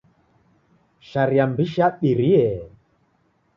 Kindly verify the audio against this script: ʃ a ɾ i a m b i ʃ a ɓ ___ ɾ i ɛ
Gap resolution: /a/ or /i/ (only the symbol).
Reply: i